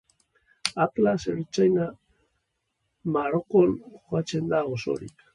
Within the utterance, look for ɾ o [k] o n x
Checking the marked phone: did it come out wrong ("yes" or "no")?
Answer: no